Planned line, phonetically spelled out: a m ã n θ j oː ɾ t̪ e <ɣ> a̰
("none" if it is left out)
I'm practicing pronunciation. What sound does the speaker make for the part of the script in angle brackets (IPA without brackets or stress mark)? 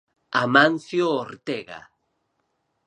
ɣ